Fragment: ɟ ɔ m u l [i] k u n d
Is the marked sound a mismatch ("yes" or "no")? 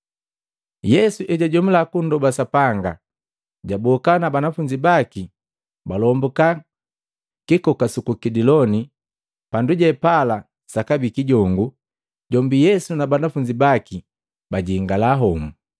yes